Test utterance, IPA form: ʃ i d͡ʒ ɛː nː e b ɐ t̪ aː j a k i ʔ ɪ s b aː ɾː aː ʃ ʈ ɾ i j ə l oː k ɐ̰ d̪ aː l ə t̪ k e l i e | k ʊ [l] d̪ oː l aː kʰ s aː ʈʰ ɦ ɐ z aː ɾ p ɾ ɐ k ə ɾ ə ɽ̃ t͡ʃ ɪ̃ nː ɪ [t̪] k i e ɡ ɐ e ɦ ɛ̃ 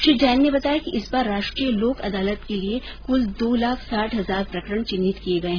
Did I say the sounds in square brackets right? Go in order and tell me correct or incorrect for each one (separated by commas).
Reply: correct, correct